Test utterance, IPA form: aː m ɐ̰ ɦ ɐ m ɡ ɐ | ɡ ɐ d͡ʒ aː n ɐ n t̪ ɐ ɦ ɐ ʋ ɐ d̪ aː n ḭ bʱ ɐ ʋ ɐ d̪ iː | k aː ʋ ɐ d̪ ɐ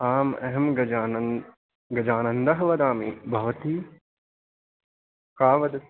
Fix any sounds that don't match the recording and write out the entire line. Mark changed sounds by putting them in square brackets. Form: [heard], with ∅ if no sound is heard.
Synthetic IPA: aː m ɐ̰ ɦ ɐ m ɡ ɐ | ɡ ɐ d͡ʒ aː n ɐ n [d̪] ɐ ɦ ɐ ʋ ɐ d̪ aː [m] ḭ bʱ ɐ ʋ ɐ [t̪] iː | k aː ʋ ɐ d̪ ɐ